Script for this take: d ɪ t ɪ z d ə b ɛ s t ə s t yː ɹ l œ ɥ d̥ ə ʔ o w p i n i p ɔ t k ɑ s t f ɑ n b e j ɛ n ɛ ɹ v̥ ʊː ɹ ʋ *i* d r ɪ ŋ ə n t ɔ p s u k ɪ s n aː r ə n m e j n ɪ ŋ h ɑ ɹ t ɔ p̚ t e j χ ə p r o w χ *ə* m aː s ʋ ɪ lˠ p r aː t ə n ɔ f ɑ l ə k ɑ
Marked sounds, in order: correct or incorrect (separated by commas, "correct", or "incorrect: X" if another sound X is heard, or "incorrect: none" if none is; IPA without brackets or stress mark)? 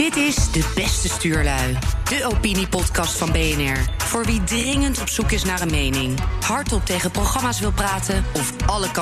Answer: correct, incorrect: ɑ